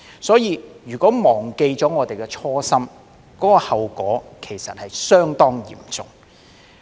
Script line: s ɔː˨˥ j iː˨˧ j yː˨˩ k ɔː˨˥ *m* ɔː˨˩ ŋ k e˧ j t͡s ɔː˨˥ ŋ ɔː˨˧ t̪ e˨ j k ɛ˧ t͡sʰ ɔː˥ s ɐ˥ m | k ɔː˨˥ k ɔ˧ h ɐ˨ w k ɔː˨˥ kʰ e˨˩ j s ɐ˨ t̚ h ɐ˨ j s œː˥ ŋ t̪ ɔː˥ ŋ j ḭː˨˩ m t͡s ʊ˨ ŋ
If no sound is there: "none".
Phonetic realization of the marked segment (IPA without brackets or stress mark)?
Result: m